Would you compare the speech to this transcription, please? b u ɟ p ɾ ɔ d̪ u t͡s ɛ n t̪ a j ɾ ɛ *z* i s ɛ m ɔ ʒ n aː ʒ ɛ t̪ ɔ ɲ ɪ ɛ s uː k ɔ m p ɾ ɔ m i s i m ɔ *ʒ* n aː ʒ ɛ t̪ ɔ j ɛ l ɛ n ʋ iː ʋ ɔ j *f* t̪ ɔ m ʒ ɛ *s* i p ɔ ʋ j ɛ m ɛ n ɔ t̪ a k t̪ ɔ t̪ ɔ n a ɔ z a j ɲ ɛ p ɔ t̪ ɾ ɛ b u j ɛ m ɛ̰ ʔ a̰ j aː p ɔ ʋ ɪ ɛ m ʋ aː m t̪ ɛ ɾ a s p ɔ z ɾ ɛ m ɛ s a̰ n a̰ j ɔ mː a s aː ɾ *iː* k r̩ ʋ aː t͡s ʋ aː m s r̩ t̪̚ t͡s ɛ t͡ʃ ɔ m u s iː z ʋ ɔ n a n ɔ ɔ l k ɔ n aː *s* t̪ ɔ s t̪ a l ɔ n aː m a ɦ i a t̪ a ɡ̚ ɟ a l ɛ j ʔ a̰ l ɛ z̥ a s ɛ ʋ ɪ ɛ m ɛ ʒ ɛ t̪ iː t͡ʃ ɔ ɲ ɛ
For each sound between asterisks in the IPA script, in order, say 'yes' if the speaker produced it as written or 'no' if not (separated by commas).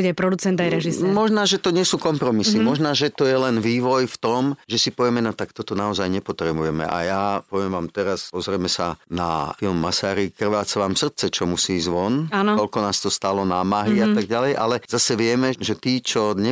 no, yes, yes, yes, no, yes